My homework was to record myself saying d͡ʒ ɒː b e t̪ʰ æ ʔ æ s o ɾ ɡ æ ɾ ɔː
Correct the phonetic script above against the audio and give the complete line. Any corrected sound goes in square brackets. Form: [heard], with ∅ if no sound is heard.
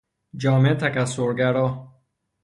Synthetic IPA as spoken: d͡ʒ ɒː [m] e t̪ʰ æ [k] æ s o ɾ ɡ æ ɾ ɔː